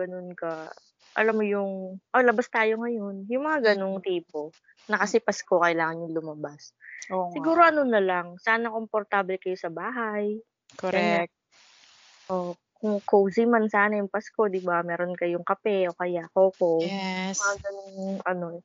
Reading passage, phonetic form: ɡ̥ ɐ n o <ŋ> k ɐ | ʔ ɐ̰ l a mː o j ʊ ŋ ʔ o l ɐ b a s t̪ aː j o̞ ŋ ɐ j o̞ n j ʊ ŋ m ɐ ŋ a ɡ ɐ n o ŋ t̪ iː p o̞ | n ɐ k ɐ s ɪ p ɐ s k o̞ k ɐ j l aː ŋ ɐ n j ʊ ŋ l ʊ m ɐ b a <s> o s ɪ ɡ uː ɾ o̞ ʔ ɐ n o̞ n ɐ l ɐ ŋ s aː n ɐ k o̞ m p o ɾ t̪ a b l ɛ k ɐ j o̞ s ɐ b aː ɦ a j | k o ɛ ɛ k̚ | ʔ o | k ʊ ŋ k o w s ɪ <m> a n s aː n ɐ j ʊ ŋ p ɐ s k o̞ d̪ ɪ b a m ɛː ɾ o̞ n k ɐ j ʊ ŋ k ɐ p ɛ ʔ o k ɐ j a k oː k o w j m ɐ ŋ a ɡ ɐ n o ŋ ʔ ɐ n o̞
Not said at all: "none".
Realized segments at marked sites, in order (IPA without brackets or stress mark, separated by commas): n, s, m